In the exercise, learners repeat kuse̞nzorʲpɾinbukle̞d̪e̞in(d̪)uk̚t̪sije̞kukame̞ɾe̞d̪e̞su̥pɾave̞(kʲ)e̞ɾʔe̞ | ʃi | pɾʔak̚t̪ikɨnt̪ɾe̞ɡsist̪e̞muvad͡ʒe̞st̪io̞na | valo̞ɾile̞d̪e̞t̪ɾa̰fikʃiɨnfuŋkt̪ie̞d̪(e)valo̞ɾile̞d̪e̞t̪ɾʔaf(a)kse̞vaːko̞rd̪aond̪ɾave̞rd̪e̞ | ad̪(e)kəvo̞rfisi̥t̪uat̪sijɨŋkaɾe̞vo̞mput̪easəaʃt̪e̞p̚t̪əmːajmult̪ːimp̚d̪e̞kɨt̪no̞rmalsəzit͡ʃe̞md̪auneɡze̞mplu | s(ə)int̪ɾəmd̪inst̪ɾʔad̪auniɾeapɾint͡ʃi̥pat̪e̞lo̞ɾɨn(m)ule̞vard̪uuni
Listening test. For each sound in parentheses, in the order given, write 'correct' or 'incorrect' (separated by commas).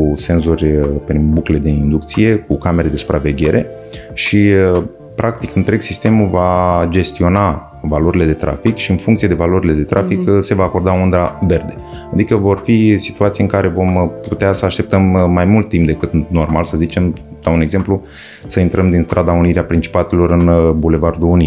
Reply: correct, incorrect, correct, incorrect, incorrect, correct, incorrect